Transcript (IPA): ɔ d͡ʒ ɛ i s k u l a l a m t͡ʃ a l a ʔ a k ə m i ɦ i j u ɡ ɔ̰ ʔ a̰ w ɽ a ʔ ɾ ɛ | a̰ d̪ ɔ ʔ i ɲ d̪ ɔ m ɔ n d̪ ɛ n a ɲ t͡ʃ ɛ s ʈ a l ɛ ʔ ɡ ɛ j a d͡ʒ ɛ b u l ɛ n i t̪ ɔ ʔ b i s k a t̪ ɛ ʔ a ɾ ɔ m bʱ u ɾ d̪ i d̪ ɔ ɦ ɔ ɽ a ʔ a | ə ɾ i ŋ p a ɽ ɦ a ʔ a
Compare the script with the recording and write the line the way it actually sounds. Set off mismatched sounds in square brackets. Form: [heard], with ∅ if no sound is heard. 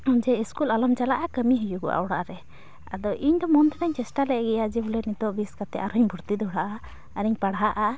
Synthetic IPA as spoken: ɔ d͡ʒ ɛ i s k u l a l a m t͡ʃ a l a ʔ a k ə m i ɦ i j u ɡ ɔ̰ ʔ a̰ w ɽ a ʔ ɾ ɛ | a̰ d̪ ɔ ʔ i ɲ d̪ ɔ m ɔ n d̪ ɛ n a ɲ t͡ʃ ɛ s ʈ a l ɛ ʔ ɡ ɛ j a d͡ʒ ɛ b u l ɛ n i t̪ ɔ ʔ b i s k a t̪ ɛ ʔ a ɾ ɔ [ɲ] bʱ u ɾ [t̪] i d̪ ɔ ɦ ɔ ɽ a ʔ a | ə ɾ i [ɲ] p a ɽ ɦ a ʔ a